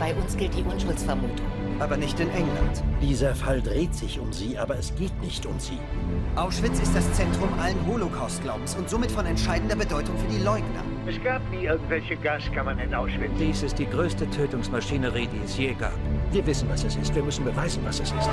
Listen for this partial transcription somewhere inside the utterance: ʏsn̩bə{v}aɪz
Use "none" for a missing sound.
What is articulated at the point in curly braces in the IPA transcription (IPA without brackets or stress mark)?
v